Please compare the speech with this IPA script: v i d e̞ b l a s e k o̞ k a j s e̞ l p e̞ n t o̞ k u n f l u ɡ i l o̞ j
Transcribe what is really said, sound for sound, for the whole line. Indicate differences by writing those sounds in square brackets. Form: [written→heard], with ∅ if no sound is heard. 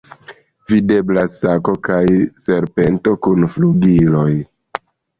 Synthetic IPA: v i d e̞ b l a s [e→a] k o̞ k a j s e̞ [l→ɾ] p e̞ n t o̞ k u n f l u ɡ i l o̞ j